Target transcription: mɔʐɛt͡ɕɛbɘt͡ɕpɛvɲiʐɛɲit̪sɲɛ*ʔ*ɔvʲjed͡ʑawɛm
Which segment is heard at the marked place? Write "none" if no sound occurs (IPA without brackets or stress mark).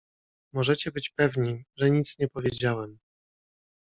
p